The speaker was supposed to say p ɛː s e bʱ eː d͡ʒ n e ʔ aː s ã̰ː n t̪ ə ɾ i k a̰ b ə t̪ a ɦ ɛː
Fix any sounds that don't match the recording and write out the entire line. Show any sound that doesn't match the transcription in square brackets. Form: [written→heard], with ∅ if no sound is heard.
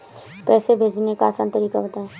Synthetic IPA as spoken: p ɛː s e bʱ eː d͡ʒ n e [ʔ→k] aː s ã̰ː n t̪ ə ɾ i k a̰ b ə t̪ a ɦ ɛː

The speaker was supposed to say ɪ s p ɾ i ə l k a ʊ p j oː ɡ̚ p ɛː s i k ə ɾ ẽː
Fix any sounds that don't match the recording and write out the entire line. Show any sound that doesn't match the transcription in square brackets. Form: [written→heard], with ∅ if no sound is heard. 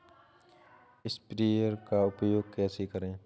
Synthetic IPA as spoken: ɪ s p ɾ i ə [l→ɾ] k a ʊ p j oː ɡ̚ [p→k] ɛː s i k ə ɾ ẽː

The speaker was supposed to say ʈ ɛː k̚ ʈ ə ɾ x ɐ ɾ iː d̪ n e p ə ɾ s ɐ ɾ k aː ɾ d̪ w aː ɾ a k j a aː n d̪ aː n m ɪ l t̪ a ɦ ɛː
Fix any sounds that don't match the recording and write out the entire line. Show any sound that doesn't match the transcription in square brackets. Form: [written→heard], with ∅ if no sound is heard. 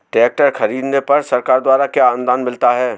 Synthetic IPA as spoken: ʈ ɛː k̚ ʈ ə ɾ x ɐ ɾ iː d̪ n e p [ə→ɐ] ɾ s ɐ ɾ k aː ɾ d̪ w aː ɾ a k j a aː n d̪ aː n m ɪ l t̪ a ɦ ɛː

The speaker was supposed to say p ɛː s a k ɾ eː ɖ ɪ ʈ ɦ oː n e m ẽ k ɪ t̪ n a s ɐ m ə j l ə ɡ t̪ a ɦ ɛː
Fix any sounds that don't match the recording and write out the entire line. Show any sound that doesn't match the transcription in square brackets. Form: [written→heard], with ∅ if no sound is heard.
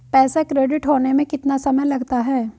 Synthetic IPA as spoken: p ɛː s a k ɾ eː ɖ ɪ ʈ ɦ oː n e m ẽ k ɪ t̪ n a s ɐ m ə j l [ə→ɐ] ɡ t̪ a ɦ ɛː

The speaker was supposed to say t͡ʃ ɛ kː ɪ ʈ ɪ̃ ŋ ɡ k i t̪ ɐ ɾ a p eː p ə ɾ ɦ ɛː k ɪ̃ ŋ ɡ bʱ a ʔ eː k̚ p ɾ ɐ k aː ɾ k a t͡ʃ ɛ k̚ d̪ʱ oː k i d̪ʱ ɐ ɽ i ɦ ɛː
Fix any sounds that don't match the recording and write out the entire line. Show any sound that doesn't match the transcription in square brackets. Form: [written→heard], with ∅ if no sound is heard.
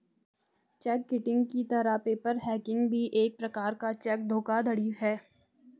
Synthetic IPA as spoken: t͡ʃ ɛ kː ɪ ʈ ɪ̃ ŋ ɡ k i t̪ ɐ ɾ a p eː p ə ɾ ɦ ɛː k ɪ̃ ŋ ɡ bʱ [a→i] ʔ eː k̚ p ɾ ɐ k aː ɾ k a t͡ʃ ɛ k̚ d̪ʱ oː k [i→a] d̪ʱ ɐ ɽ i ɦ ɛː

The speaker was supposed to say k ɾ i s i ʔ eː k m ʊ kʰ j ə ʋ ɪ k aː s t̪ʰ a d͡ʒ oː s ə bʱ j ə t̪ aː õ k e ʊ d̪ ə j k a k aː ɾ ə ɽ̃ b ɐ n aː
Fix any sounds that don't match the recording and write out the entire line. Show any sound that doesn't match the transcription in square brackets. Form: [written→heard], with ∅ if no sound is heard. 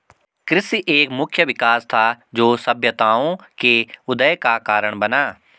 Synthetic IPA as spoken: k ɾ [i→ɪ] s i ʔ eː k m ʊ kʰ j ə ʋ ɪ k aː s t̪ʰ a d͡ʒ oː s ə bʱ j ə t̪ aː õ k e ʊ d̪ ə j k a k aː ɾ ə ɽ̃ b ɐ n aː

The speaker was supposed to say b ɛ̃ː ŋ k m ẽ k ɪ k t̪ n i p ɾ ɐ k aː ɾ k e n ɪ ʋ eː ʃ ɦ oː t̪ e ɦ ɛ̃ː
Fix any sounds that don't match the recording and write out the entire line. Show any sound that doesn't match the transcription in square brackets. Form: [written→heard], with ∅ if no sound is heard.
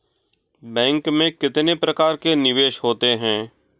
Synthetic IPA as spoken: b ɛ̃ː ŋ k m ẽ k ɪ [k→∅] t̪ n [i→e] p ɾ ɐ k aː ɾ k e n ɪ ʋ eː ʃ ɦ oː t̪ e ɦ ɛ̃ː

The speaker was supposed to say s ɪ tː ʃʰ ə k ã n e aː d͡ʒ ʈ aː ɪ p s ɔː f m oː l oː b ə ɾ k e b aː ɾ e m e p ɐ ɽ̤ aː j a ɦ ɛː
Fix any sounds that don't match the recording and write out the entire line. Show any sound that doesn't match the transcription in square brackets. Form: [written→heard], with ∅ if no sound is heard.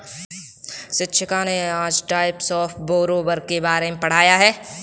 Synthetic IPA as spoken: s ɪ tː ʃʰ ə k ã n e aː d͡ʒ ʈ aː ɪ p s ɔː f [m→b] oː [l→ɾ] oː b ə ɾ k e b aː ɾ e m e p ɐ ɽ̤ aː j a ɦ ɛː

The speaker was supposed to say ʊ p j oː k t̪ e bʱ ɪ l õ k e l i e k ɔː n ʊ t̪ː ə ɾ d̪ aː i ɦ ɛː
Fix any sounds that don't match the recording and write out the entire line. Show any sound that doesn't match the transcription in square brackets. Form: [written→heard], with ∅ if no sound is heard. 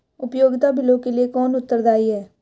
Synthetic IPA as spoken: ʊ p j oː [k→ɡ] t̪ [e→a] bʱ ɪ l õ k e l i e k ɔː n ʊ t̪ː ə ɾ d̪ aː i ɦ ɛː

